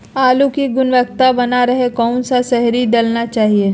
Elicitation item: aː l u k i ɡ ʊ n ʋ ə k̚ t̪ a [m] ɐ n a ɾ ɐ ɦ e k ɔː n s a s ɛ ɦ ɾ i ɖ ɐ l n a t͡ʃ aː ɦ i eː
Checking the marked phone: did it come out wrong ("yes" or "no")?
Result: yes